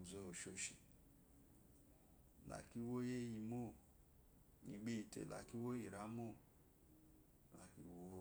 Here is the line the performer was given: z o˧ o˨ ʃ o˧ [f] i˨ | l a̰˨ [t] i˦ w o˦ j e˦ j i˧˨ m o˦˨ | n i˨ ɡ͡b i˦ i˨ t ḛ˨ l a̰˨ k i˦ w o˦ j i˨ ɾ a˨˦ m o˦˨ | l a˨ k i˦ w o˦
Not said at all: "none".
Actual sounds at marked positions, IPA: ʃ, k

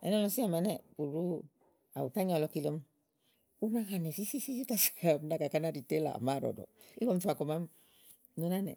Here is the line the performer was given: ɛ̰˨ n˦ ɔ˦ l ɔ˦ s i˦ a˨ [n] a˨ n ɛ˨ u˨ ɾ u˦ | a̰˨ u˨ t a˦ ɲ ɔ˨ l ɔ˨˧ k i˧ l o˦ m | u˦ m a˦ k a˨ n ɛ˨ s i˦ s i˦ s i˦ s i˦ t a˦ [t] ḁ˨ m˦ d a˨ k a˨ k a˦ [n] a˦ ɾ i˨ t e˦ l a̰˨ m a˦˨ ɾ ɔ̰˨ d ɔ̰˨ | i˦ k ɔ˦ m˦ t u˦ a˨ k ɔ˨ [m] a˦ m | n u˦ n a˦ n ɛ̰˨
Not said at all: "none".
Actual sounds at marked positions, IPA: m, s, n, m

